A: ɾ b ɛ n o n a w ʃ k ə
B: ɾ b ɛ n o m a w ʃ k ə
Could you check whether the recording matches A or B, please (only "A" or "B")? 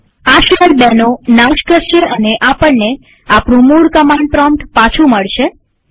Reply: A